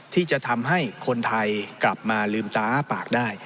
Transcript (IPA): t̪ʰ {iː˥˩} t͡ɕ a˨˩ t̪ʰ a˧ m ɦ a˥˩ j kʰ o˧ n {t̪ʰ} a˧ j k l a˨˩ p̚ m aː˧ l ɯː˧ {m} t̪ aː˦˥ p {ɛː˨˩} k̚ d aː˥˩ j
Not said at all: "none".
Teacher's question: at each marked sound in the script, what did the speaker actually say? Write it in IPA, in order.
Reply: iː˥˩, t̪ʰ, m, aː˨˩

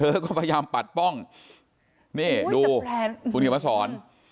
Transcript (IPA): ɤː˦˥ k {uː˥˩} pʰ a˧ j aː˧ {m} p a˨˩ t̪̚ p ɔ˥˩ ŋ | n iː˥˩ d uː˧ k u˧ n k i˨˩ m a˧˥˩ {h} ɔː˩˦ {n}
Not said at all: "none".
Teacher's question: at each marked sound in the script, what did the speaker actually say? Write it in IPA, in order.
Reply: ɔː˥˩, m, s, n

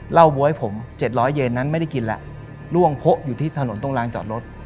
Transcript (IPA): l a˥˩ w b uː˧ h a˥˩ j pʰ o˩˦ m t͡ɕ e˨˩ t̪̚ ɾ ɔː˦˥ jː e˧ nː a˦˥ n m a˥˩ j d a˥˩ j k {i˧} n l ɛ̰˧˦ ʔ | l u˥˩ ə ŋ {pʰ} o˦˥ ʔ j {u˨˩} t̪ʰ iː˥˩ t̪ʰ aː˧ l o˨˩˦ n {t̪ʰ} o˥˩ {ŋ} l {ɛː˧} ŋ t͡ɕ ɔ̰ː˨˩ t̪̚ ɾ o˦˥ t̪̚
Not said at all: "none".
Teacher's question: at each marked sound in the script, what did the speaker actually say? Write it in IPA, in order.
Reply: i˧, pʰ, uː˨˩, t̪, ŋ, aː˧

